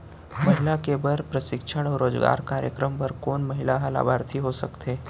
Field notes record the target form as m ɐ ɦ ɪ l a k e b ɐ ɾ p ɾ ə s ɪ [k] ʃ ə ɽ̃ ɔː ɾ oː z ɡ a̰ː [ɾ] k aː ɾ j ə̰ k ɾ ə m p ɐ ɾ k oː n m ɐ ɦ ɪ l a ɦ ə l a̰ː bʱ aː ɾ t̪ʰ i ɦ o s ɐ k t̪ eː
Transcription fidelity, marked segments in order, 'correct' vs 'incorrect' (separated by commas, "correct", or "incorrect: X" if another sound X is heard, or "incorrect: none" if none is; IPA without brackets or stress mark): correct, correct